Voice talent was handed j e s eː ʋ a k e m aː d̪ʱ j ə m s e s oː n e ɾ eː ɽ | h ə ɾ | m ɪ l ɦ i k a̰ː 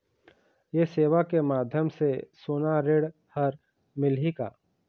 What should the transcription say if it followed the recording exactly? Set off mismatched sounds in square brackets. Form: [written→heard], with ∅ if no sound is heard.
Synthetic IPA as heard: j e s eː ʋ a k e m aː d̪ʱ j ə m s e s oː n [e→a] ɾ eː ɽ | h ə ɾ | m ɪ l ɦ i k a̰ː